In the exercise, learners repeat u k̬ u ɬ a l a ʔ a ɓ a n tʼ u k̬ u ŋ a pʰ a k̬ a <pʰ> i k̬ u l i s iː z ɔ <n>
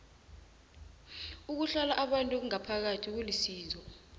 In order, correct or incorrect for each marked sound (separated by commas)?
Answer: incorrect, incorrect